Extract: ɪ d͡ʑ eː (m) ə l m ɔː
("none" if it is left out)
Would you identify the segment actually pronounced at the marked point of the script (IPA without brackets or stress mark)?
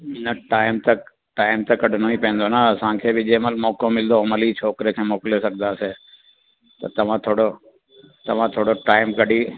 m